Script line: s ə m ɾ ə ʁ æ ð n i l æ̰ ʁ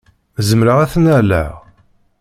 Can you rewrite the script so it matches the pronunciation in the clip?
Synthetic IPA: z ə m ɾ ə ʁ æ θ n æ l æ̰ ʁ